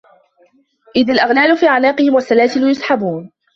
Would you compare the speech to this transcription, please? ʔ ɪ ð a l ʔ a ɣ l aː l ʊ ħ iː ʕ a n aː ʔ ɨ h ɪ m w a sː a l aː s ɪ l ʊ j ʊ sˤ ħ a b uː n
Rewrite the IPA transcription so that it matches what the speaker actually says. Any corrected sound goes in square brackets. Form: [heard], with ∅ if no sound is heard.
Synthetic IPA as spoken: ʔ ɪ ð a l ʔ a ɣ l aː l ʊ [f] iː ʕ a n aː [q] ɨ h ɪ m w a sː a l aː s ɪ l ʊ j ʊ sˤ ħ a b uː n